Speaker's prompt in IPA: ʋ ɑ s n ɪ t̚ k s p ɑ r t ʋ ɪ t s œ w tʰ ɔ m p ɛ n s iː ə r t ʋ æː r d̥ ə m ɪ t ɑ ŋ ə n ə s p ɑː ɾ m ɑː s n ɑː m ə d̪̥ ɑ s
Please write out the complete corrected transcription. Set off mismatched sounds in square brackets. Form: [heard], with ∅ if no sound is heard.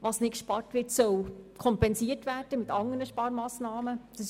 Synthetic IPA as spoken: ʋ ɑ s n ɪ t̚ k [ʃ] p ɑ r t ʋ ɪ t s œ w [kʰ] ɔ m p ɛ n s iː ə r t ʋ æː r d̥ ə m ɪ t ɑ ŋ ə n ə [ʃ] p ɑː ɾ m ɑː s n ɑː m ə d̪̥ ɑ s

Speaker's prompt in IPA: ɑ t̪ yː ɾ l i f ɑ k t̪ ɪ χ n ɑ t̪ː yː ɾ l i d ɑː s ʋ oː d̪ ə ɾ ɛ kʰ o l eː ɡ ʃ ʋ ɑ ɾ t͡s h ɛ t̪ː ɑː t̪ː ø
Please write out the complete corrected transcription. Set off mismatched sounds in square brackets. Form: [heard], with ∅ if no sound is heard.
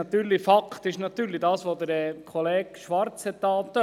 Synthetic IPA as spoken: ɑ t̪ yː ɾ l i f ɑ k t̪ ɪ [ʃ] n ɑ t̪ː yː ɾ l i d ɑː s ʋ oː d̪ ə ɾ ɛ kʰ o l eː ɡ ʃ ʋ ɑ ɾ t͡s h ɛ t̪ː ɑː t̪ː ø

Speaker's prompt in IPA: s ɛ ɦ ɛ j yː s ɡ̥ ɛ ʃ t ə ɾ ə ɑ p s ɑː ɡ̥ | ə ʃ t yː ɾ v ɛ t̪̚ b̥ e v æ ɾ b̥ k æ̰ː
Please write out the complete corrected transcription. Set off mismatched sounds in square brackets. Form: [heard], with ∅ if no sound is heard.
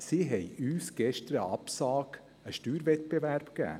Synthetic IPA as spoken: s [i] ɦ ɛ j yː s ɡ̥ ɛ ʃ t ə ɾ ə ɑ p s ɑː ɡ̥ | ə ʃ t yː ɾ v ɛ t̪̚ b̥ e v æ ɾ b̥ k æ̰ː

